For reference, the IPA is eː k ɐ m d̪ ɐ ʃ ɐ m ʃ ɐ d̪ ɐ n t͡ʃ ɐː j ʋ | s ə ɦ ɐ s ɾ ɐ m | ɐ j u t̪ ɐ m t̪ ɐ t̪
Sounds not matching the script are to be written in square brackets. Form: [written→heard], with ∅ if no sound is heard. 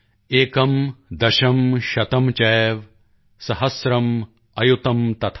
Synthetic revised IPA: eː k ɐ m d̪ ɐ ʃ ɐ m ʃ ɐ [d̪→t̪] ɐ [n→m] t͡ʃ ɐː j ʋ | s [ə→ɐ] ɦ ɐ s ɾ ɐ m | ɐ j u t̪ ɐ m t̪ ɐ [t̪→t̪ʰ]